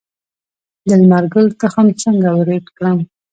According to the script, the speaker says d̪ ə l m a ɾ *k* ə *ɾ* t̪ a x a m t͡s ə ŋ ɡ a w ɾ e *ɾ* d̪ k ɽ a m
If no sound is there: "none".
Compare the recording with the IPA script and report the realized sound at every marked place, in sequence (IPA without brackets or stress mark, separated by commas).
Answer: ɡ, l, none